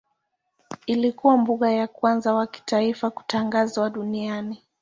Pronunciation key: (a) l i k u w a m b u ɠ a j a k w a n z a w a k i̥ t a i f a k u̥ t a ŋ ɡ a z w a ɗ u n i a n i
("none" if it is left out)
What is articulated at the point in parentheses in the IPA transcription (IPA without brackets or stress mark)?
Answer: i